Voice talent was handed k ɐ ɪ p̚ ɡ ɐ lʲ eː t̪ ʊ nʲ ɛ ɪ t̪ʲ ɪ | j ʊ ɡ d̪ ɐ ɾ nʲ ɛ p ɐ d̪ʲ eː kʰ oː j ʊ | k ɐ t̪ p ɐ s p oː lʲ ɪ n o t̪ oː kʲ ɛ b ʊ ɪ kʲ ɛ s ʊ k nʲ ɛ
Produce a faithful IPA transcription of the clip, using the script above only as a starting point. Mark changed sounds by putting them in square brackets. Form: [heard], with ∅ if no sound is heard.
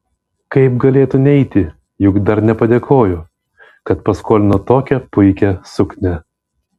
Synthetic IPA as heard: k ɐ ɪ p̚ ɡ ɐ lʲ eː t̪ ʊ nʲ ɛ ɪ t̪ʲ ɪ | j ʊ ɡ d̪ ɐ ɾ nʲ ɛ p ɐ d̪ʲ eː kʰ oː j ʊ | k ɐ t̪ p ɐ s [k] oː lʲ ɪ n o t̪ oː kʲ ɛ [p] ʊ ɪ kʲ ɛ s ʊ k nʲ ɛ